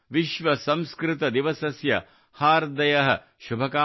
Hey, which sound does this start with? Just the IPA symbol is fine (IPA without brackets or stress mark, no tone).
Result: ʋ